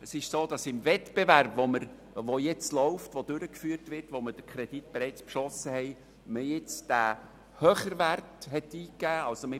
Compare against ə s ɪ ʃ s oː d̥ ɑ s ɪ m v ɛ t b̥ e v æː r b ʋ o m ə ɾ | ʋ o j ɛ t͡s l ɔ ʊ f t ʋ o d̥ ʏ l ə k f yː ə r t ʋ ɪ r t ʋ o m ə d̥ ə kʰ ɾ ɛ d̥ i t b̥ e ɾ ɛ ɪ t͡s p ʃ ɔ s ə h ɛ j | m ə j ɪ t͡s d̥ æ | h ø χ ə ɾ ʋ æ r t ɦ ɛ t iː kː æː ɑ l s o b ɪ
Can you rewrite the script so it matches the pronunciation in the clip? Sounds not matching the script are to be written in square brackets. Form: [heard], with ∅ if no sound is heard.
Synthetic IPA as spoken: ə s ɪ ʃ s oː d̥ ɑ s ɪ m v ɛ t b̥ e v [æ] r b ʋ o m ə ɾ | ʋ o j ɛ t͡s l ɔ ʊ f t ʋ o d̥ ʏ [ɾ] ə k f yː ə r t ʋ ɪ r t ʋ o m ə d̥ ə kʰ ɾ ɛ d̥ i t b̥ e ɾ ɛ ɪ t͡s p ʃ ɔ s ə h ɛ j | m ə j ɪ t͡s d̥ æ | h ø χ ə ɾ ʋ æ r t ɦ ɛ t iː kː æː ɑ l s o [m] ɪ